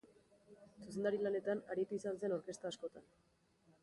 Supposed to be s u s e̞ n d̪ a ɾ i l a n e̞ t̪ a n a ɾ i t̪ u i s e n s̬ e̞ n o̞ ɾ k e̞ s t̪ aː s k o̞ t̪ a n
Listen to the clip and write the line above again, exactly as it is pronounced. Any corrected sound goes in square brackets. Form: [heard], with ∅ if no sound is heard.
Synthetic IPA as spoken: s u s e̞ n d̪ a ɾ i l a n e̞ t̪ a n a ɾ i t̪ u i s [a] n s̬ e̞ n o̞ ɾ k e̞ s t̪ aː s k o̞ t̪ a n